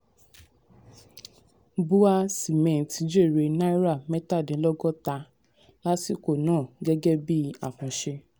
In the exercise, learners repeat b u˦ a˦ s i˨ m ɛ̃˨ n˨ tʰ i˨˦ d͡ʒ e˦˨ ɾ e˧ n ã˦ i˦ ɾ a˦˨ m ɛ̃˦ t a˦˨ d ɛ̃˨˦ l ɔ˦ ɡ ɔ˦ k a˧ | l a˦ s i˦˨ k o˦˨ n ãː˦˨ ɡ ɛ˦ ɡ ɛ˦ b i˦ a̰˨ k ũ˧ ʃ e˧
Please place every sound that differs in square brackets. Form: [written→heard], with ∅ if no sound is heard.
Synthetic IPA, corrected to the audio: b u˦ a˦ s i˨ m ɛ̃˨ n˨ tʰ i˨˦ d͡ʒ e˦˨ ɾ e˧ n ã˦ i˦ ɾ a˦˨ m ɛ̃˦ t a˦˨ d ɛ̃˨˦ l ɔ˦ ɡ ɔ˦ [k→t] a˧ | l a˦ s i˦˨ k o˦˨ n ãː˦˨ ɡ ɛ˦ ɡ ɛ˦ b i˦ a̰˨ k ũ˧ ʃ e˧